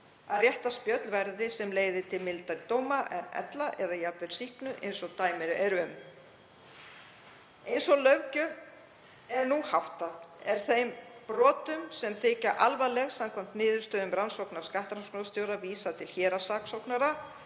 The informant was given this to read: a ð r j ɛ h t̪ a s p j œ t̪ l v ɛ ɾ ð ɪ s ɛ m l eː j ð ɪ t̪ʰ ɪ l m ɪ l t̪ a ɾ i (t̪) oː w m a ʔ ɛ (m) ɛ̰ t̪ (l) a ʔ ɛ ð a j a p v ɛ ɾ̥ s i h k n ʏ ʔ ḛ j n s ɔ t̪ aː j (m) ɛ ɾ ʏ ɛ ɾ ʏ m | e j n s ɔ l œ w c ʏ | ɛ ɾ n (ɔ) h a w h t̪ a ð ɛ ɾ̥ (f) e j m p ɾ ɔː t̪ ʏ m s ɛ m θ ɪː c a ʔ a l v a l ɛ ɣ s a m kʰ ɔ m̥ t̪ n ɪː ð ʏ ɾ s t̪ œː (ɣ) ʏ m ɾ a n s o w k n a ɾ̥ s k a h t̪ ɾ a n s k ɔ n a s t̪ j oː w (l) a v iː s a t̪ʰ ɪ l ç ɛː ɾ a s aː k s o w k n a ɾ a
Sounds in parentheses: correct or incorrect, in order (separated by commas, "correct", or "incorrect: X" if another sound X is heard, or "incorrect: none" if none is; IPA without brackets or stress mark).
correct, incorrect: n, correct, correct, incorrect: u, incorrect: θ, incorrect: ð, incorrect: ɾ